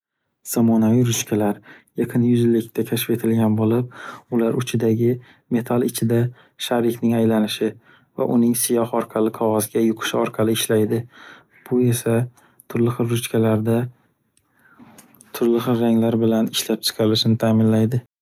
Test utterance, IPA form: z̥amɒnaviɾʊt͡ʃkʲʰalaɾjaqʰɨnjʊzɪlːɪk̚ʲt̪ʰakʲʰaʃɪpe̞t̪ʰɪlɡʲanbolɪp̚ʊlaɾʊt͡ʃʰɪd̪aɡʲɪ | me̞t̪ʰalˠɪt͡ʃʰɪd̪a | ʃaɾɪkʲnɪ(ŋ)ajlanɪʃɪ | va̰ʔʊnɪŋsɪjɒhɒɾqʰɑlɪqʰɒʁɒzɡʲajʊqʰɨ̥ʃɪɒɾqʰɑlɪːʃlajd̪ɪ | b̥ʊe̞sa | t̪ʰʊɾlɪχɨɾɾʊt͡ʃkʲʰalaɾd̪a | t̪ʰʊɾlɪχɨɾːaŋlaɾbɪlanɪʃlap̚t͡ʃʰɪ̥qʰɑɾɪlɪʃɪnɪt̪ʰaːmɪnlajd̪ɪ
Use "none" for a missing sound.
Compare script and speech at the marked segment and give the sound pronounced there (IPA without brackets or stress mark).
ŋ